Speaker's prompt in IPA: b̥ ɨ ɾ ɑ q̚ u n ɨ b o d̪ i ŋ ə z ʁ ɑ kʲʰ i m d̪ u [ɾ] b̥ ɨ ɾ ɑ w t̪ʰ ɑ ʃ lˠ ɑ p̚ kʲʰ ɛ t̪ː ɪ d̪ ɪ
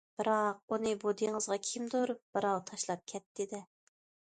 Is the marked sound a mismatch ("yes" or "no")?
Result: no